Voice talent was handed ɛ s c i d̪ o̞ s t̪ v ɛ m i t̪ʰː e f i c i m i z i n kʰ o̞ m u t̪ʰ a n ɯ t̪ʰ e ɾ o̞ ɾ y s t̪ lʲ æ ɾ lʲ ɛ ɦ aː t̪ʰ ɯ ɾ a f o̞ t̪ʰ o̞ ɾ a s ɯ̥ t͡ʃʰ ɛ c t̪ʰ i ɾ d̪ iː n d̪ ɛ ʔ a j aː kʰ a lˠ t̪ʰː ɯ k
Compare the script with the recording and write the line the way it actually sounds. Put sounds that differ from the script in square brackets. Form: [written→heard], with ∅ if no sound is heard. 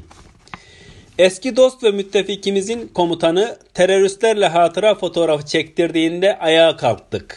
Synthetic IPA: ɛ s c i d̪ o̞ s t̪ v ɛ m [i→y] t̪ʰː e f i c i m i z i n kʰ o̞ m u t̪ʰ a n ɯ t̪ʰ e ɾ o̞ ɾ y s t̪ lʲ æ ɾ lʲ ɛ ɦ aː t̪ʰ ɯ ɾ a f o̞ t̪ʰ o̞ ɾ a [s→f] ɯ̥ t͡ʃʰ ɛ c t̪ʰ i ɾ d̪ iː n d̪ ɛ ʔ a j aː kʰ a lˠ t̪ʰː ɯ k